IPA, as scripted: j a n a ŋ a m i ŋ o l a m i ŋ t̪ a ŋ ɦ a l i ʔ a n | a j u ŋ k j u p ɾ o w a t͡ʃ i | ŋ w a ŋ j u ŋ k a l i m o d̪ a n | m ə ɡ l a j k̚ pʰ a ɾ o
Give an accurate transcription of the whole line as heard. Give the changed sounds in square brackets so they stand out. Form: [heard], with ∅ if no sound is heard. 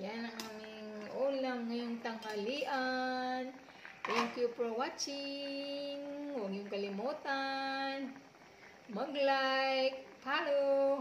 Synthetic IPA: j a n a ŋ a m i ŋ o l a [ŋ] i ŋ t̪ a ŋ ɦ a l i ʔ a n | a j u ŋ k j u p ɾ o w a t͡ʃ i | ŋ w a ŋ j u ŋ k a l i m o [t̪] a n | m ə ɡ l a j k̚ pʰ a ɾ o

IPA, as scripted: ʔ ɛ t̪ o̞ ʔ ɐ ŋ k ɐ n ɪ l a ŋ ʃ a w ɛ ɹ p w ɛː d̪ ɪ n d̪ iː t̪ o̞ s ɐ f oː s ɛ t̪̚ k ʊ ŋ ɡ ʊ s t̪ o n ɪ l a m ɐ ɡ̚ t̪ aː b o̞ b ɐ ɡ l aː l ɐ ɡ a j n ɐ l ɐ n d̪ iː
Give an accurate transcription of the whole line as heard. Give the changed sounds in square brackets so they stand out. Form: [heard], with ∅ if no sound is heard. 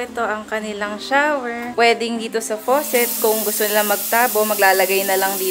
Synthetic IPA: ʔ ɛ t̪ o̞ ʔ ɐ ŋ k ɐ n ɪ l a ŋ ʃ a w ɛ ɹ p w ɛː d̪ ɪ [ŋ] d̪ iː t̪ o̞ s ɐ f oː s ɛ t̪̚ k ʊ ŋ ɡ ʊ s t̪ o n ɪ l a m ɐ ɡ̚ t̪ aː b o̞ [m] ɐ ɡ l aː l ɐ ɡ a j n ɐ l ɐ [ŋ] d̪ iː

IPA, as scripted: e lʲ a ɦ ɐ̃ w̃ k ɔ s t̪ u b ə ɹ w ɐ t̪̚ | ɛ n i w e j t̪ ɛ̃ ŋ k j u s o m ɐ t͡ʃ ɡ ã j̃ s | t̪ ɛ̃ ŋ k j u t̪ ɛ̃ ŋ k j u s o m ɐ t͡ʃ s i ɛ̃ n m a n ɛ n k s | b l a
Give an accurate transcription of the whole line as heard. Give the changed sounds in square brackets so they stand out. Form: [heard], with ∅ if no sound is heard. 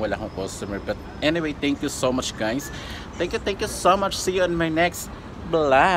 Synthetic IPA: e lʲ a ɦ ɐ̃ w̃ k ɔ s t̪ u [m] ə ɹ [b] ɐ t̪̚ | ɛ n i w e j t̪ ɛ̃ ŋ k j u s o m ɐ t͡ʃ ɡ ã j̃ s | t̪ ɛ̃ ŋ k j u t̪ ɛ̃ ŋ k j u s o m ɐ t͡ʃ s i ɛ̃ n m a n ɛ [∅] k s | b l a

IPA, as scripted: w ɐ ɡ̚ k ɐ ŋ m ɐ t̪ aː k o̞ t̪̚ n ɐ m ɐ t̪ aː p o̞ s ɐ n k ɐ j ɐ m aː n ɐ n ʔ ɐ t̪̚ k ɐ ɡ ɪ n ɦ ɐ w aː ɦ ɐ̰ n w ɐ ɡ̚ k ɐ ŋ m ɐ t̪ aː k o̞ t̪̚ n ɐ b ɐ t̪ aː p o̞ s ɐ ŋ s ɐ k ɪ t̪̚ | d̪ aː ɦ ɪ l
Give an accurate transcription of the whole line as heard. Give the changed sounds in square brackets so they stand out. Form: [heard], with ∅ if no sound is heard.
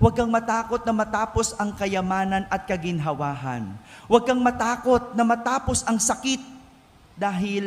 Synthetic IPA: w ɐ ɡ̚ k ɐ ŋ m ɐ t̪ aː k o̞ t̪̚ n ɐ m ɐ t̪ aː p o̞ s ɐ [ŋ] k ɐ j ɐ m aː n ɐ n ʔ ɐ t̪̚ k ɐ ɡ ɪ n ɦ ɐ w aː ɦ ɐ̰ n w ɐ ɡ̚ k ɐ ŋ m ɐ t̪ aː k o̞ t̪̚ n ɐ [m] ɐ t̪ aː p o̞ s ɐ ŋ s ɐ k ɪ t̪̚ | d̪ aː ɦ ɪ l

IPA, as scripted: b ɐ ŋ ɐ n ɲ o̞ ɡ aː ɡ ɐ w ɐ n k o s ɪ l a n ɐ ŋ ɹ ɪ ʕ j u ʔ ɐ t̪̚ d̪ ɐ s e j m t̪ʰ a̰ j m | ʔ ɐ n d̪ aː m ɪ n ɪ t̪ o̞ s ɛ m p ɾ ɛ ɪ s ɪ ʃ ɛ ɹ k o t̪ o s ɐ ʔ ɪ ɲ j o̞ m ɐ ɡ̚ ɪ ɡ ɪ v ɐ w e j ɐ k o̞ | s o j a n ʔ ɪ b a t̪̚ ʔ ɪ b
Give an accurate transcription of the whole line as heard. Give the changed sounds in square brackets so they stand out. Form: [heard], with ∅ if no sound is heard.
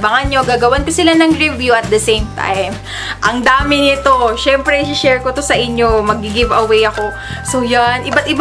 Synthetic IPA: b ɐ ŋ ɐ n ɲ o̞ ɡ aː ɡ ɐ w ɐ n k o s ɪ l a n ɐ ŋ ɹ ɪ [v] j u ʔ ɐ t̪̚ d̪ ɐ s e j m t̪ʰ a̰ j m | ʔ ɐ [ŋ] d̪ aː m ɪ n ɪ t̪ o̞ [ʃ] ɛ m p ɾ ɛ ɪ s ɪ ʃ ɛ ɹ k o t̪ o s ɐ ʔ ɪ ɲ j o̞ m ɐ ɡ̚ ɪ ɡ ɪ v ɐ w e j ɐ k o̞ | s o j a n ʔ ɪ b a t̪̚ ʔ ɪ b

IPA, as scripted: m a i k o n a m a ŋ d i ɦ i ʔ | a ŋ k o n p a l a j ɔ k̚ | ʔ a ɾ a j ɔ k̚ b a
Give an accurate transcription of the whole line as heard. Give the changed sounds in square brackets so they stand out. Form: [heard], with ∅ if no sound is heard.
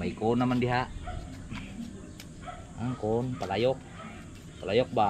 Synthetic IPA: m a i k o n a m a [n] d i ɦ [a] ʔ | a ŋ k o n p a l a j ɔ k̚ | [p] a [l] a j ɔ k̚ b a

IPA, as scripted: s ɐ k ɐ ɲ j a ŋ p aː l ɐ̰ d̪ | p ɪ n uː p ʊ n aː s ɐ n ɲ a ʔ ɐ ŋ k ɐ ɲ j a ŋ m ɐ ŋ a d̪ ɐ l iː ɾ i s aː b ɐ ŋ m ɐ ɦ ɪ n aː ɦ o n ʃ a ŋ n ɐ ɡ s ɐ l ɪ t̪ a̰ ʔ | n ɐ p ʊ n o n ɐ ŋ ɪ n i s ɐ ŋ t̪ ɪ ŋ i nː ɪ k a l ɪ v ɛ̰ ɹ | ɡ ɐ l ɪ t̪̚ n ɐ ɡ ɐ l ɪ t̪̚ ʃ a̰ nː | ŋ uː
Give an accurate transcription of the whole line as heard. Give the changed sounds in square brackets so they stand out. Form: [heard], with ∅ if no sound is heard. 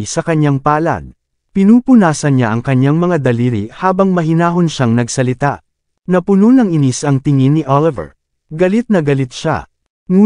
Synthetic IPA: s ɐ k ɐ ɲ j a ŋ p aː l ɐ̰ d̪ | p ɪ n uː p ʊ n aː s ɐ n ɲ a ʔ ɐ ŋ k ɐ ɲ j a ŋ m ɐ ŋ a d̪ ɐ l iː ɾ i [h] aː b ɐ ŋ m ɐ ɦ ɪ n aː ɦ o n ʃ a ŋ n ɐ ɡ s ɐ l ɪ t̪ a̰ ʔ | n ɐ p ʊ n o n ɐ ŋ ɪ n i s ɐ ŋ t̪ ɪ ŋ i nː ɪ [ʔ] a l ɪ v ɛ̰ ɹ | ɡ ɐ l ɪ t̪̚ n ɐ ɡ ɐ l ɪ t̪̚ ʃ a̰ [∅] | ŋ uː

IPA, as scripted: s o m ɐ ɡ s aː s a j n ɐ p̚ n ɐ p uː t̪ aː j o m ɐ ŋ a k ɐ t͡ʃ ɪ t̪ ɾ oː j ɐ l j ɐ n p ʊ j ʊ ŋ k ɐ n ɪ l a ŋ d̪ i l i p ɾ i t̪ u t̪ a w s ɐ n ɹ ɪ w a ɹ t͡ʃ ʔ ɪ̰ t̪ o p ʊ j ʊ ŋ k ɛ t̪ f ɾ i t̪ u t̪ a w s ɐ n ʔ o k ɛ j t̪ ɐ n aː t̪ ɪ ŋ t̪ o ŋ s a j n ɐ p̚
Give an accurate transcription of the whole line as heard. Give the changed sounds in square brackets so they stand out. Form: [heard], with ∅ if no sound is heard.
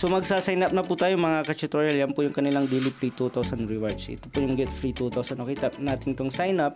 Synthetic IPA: s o m ɐ ɡ s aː s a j n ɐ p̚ n ɐ p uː t̪ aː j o m ɐ ŋ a k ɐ t͡ʃ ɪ t̪ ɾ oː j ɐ l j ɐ n p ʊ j ʊ ŋ k ɐ n ɪ l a ŋ d̪ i l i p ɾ i t̪ u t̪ a w s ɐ n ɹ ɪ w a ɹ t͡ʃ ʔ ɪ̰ t̪ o p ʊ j ʊ ŋ [ɡ] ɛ t̪ f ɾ i t̪ u t̪ a w s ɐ n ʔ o k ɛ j t̪ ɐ n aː t̪ ɪ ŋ t̪ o ŋ s a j n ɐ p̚

